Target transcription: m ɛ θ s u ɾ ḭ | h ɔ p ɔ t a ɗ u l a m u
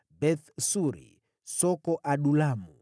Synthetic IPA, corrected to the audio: b ɛ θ s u ɾ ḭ | s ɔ k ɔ ʔ a ɗ u l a m u